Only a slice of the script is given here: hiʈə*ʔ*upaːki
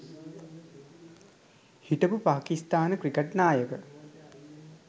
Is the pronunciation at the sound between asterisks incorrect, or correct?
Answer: incorrect: p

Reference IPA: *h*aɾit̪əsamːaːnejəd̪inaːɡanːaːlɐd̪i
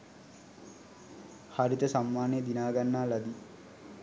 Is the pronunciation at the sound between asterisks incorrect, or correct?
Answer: correct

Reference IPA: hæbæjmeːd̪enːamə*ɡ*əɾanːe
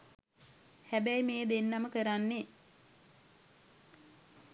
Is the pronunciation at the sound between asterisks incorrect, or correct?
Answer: incorrect: k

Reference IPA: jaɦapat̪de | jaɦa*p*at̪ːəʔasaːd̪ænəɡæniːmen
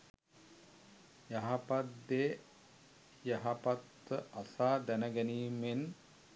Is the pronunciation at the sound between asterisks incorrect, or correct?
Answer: correct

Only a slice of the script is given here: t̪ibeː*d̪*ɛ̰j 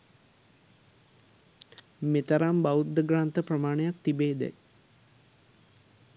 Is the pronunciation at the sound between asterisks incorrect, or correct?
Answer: correct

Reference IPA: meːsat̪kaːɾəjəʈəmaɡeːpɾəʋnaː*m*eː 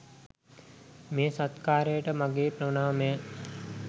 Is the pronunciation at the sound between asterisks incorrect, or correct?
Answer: correct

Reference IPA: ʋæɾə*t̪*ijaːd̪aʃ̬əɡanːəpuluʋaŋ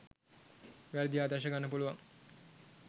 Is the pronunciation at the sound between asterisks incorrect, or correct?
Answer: incorrect: d̪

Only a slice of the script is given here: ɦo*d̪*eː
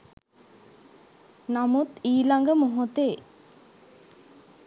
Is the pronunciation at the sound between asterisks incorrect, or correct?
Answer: incorrect: t̪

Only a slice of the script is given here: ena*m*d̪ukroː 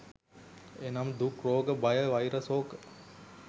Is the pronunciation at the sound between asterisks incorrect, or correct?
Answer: correct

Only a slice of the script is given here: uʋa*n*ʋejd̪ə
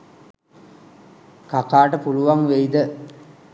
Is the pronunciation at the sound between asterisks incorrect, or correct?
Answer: incorrect: ŋ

